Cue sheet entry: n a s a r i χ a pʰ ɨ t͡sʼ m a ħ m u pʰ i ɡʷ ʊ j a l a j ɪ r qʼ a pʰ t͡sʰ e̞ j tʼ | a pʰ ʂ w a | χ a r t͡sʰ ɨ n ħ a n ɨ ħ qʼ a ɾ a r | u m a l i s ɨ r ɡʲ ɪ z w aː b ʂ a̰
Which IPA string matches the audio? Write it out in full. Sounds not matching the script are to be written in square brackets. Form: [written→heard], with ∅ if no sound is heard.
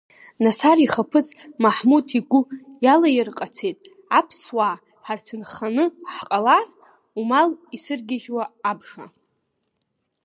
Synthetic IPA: n a s a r i χ a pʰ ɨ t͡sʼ m a ħ m u [pʰ→tʰ] i ɡʷ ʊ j a l a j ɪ r qʼ a [pʰ→∅] t͡sʰ e̞ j tʼ | a pʰ [ʂ→s] w a | [χ→ħ] a r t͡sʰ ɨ n [ħ→χ] a n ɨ ħ qʼ a [ɾ→l] a r | u m a l i s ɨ r ɡʲ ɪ [z→ʒ] w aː b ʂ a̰